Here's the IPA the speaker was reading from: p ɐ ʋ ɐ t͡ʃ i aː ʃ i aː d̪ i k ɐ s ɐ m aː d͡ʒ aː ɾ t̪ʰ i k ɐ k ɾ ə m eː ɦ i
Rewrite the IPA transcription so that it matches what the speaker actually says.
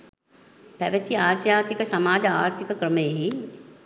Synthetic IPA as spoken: p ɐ ʋ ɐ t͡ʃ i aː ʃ j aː t̪ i k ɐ s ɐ m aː d͡ʒ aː ɾ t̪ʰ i k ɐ k ɾ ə m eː ɦ i